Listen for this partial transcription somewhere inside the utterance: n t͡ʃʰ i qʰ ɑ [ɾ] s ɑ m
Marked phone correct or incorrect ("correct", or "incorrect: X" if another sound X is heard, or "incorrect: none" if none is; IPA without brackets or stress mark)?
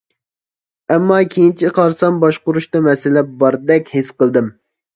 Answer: correct